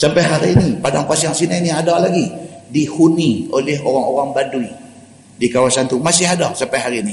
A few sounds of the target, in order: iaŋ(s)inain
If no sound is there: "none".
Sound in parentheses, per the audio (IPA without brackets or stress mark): s